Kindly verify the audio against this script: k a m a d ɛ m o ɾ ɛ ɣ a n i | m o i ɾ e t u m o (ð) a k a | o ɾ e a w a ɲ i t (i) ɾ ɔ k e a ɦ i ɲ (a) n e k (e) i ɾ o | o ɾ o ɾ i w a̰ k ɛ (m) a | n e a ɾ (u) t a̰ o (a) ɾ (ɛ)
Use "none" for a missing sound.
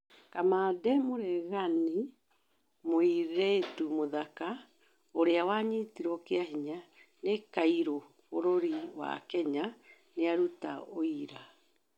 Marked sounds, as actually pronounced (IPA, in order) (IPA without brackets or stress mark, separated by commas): ð, i, a, a, ɲ, u, i, a